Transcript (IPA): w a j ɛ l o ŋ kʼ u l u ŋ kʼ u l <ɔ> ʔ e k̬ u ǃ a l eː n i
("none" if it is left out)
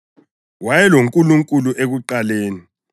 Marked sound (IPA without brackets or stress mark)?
u